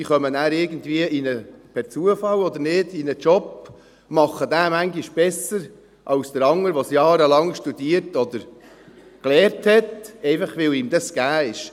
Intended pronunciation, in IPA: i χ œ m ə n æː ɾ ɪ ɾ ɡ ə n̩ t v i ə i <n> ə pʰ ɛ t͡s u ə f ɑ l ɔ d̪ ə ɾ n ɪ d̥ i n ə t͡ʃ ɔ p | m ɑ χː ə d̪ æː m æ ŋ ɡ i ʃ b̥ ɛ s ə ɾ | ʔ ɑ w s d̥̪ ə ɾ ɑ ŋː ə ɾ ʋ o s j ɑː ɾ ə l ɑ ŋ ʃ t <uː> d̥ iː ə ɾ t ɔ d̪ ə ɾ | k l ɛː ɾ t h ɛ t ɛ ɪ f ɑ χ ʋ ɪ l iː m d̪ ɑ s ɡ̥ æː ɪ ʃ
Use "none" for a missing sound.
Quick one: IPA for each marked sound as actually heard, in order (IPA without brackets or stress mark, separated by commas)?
n, u